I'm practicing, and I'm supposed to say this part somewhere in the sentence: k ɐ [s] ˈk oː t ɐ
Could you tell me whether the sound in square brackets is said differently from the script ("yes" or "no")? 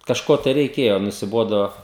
yes